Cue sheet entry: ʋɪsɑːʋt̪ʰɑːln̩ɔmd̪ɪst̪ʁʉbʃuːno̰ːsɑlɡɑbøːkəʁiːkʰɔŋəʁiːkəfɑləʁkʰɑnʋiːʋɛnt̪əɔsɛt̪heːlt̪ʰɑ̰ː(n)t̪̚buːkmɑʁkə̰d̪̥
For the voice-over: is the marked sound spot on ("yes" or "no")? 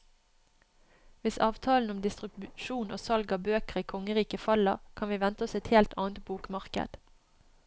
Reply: yes